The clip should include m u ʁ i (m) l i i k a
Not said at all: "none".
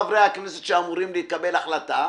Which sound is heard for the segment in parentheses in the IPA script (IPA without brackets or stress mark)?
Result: m